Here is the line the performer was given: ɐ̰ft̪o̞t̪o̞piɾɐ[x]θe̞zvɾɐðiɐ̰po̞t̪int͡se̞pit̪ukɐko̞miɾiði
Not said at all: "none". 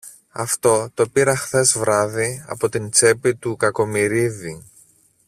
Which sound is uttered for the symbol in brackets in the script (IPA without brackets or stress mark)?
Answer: x